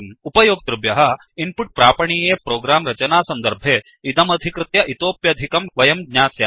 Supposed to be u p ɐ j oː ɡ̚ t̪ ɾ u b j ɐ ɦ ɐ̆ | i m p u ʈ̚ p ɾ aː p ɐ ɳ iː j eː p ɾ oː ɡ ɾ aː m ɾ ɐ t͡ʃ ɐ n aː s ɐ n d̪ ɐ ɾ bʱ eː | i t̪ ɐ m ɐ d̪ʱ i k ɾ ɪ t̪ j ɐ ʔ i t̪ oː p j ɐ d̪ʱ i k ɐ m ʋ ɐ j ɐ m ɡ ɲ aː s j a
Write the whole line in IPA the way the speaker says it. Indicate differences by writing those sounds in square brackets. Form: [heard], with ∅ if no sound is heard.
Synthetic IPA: u p ɐ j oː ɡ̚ t̪ ɾ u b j ɐ ɦ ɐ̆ | i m p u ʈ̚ p ɾ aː p ɐ ɳ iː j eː p ɾ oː ɡ ɾ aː m ɾ ɐ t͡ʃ ɐ n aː s ɐ n d̪ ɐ ɾ bʱ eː | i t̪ ɐ m ɐ d̪ʱ i k ɾ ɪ t̪ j ɐ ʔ i t̪ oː p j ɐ d̪ʱ i k ɐ m ʋ ɐ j ɐ m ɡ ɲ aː s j a